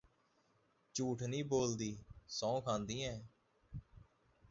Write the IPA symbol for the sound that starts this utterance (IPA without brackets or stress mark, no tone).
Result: t͡ʃ